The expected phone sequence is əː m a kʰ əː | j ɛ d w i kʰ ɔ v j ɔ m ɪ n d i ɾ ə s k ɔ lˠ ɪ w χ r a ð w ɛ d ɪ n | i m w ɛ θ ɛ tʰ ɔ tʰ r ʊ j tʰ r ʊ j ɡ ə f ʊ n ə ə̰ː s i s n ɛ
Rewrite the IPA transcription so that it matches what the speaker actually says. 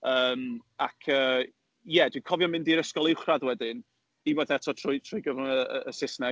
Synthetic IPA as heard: əː m a kʰ əː | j ɛ d w i kʰ ɔ v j ɔ m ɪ n d i ɾ ə s k ɔ lˠ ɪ w χ r a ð w ɛ d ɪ n | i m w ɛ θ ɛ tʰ ɔ tʰ r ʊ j tʰ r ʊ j ɡ ə v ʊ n ə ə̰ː s ɪ s n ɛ